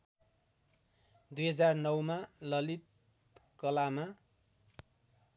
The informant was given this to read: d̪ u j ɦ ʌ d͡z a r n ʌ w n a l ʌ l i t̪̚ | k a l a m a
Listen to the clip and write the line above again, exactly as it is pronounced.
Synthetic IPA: d̪ u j ɦ ʌ d͡z a r n ʌ w m a l ʌ l i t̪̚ | k ʌ l a m a